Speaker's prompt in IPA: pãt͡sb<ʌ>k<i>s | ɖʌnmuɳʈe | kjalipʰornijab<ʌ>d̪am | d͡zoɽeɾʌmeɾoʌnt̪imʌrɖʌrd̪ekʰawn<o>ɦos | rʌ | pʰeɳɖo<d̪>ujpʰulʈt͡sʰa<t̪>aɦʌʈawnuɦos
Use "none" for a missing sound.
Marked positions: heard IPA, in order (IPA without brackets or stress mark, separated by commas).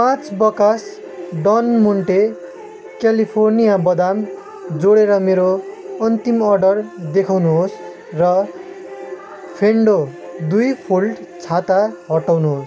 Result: ʌ, a, ʌ, u, d̪, t̪